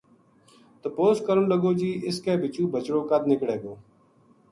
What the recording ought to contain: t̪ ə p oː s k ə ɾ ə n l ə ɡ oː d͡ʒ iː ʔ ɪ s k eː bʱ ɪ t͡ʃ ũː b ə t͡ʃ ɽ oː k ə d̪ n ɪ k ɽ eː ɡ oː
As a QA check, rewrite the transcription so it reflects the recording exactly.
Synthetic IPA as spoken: t̪ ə p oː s k ə ɾ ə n l ə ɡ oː d͡ʒ iː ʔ ɪ s k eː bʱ ɪ t͡ʃ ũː b ə t͡ʃ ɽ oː k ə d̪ n ɪ k ɽ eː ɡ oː